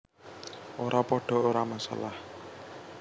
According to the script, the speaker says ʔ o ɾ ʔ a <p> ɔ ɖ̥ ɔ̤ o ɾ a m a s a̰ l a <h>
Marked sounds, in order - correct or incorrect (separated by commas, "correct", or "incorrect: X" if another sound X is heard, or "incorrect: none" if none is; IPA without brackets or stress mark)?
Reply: correct, correct